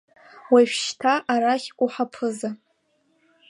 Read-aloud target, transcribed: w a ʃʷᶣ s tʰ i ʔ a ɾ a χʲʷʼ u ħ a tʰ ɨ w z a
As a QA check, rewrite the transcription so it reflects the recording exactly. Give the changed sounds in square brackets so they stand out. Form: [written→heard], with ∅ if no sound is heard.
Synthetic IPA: w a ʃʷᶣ [s→ʃ] tʰ [i→a] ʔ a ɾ a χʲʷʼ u ħ a [tʰ→pʰ] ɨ [w→∅] z a